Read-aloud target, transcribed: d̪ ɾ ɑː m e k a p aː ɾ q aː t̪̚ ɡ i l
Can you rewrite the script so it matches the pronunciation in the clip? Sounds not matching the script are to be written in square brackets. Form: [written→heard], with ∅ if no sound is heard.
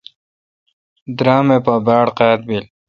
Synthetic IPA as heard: d̪ ɾ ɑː m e [k→p] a [p→b] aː [ɾ→ɽ] q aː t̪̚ [ɡ→b] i l